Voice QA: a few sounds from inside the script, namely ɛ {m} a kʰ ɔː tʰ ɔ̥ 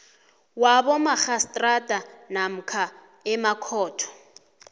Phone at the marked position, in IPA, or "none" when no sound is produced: m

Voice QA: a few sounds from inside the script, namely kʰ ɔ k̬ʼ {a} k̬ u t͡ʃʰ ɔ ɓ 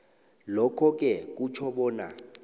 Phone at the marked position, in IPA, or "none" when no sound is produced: ɛ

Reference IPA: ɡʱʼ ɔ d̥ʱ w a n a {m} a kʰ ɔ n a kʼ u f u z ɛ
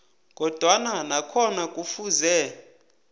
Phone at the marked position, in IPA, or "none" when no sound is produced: n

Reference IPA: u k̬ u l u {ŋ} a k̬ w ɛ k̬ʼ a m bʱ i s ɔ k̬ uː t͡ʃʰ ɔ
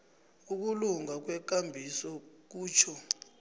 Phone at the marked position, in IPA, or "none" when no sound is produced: ŋ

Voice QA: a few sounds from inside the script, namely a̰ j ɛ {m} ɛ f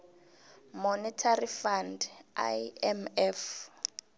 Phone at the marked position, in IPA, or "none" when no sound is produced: m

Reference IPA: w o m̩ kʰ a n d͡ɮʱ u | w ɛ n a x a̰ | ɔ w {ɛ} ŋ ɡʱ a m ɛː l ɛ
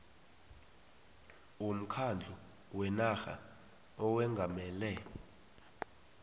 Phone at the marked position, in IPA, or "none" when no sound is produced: ɛ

